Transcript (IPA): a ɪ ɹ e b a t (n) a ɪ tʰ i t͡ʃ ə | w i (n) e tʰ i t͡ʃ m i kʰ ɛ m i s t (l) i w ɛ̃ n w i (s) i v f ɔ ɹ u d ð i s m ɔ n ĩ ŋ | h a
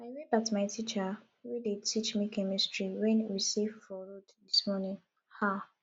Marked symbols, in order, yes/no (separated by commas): no, no, no, yes